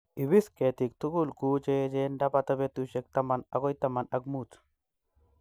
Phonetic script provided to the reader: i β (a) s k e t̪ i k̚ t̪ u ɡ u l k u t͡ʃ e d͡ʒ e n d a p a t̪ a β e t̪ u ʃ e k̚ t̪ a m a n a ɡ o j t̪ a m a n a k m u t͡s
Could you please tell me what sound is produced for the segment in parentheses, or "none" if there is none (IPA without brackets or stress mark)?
i